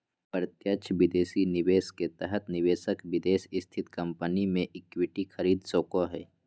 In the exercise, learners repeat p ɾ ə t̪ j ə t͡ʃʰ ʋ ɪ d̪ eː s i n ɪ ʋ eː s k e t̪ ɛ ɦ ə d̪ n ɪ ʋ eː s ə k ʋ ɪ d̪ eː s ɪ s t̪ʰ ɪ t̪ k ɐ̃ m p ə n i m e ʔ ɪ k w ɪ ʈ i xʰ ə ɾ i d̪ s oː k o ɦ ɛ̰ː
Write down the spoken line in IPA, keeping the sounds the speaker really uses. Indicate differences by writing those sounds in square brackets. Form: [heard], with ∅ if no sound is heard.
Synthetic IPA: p ɾ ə t̪ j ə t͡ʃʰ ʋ ɪ d̪ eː s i n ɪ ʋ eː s k e t̪ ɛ ɦ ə [t̪] n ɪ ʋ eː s ə k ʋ ɪ d̪ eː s ɪ s t̪ʰ ɪ t̪ k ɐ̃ m p ə n i m [ẽ] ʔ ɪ k w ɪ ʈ i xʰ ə ɾ [iː] d̪ s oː k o ɦ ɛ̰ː